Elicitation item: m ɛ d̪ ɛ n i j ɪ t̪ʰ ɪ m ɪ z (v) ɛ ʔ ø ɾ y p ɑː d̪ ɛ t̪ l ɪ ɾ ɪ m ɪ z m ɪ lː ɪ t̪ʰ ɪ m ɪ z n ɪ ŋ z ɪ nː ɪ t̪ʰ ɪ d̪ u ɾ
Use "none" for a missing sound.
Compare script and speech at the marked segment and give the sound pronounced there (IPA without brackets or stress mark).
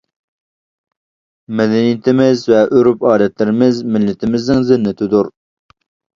v